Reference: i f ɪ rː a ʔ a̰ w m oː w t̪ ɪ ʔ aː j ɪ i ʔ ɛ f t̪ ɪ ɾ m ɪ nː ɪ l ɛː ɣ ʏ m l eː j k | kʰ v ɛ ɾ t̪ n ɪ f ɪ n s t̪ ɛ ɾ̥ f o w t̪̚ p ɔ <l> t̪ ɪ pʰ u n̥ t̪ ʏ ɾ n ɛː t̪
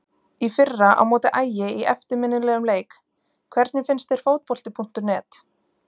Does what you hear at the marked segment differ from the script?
no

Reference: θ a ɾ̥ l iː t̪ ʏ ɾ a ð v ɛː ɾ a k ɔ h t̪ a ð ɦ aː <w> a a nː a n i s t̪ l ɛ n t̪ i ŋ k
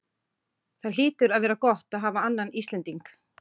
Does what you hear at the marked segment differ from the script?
yes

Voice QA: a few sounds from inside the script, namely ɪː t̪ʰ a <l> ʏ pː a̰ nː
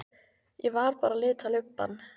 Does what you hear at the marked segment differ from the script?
no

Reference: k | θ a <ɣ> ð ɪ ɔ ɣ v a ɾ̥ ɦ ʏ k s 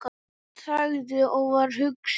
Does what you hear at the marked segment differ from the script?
no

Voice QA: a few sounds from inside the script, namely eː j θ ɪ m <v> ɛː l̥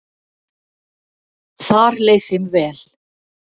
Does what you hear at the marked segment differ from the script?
no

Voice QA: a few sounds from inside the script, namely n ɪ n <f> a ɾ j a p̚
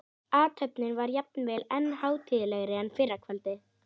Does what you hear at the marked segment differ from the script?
yes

